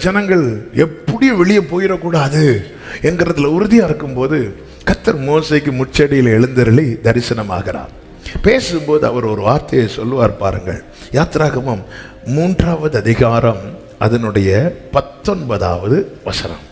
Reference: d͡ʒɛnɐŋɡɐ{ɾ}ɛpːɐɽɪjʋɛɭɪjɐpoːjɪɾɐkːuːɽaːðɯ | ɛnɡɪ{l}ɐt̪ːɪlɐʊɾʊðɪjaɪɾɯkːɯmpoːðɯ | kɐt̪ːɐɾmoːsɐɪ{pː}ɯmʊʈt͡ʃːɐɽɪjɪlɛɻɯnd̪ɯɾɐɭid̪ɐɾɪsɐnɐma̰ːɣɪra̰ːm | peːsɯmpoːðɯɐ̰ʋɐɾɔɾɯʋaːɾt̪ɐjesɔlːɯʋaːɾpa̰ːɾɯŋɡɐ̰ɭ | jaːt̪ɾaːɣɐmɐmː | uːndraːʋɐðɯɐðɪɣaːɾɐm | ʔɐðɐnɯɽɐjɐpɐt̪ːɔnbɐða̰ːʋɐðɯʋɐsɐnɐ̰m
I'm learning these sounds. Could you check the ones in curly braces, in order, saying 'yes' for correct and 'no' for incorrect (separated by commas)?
no, no, no